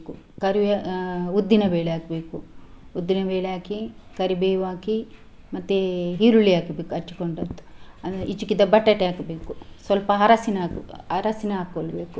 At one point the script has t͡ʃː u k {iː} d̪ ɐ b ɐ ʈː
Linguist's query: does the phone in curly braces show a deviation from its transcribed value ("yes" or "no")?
yes